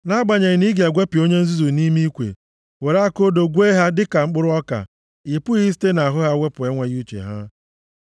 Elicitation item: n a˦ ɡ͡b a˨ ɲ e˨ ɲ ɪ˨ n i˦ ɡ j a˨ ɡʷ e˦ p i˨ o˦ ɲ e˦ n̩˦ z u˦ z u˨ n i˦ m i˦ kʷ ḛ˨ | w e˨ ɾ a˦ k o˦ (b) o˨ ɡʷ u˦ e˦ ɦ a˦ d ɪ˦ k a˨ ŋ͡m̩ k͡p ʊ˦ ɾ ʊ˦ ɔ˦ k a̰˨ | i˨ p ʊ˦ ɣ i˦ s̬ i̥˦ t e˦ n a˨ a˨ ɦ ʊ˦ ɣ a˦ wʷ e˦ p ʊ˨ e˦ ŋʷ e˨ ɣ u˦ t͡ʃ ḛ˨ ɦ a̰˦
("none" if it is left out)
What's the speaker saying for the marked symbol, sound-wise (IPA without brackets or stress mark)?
d